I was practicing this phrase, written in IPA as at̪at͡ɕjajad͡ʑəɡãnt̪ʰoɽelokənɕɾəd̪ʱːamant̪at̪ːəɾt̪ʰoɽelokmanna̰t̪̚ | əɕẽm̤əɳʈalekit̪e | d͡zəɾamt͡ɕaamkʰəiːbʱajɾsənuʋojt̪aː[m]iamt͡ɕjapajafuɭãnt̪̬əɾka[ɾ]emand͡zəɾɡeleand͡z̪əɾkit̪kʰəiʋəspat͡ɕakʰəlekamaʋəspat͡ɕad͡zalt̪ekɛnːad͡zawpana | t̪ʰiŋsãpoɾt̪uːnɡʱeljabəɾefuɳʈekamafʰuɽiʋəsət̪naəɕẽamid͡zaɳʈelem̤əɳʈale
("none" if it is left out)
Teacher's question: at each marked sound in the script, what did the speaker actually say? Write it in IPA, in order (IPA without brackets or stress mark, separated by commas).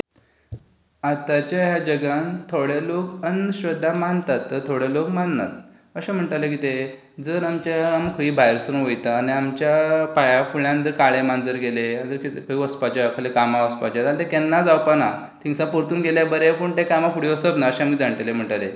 n, ɭ